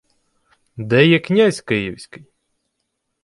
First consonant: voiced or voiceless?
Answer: voiced